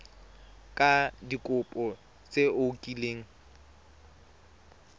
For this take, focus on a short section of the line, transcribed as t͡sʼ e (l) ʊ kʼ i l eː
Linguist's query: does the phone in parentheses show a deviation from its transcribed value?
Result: yes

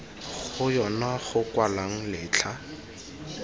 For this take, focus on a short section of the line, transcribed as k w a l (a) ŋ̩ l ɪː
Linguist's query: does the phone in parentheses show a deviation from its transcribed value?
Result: no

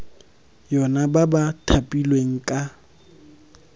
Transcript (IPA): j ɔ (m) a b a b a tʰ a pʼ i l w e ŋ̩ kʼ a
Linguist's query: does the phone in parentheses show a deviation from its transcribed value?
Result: yes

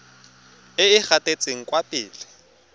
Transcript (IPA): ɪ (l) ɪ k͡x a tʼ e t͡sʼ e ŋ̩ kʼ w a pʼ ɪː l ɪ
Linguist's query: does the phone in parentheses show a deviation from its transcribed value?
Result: yes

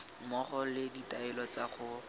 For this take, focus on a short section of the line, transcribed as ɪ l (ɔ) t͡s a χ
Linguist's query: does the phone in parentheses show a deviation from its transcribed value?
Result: no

